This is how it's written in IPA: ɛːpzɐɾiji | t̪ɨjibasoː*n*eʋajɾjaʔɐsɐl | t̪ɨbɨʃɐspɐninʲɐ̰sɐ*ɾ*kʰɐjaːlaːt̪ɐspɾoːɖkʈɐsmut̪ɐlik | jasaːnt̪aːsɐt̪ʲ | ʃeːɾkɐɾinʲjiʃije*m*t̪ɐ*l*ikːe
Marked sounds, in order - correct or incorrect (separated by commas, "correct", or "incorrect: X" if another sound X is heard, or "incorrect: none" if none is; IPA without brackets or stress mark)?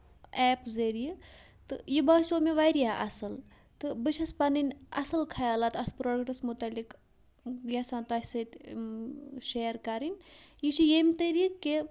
incorrect: m, incorrect: l, correct, incorrect: ɾ